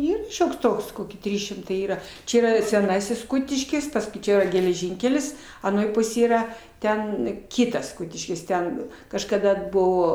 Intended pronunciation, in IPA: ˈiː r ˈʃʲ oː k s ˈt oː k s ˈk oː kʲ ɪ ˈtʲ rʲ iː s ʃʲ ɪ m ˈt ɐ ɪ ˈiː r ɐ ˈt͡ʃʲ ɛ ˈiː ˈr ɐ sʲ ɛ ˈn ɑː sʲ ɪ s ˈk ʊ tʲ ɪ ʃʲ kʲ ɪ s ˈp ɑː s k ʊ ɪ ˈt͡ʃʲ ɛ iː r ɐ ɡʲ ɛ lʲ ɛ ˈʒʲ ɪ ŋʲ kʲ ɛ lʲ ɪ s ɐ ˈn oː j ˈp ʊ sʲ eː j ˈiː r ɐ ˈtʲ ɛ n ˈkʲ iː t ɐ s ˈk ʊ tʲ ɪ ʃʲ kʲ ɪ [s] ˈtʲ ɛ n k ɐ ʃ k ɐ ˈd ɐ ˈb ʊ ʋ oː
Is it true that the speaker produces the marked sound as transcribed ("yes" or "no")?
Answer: yes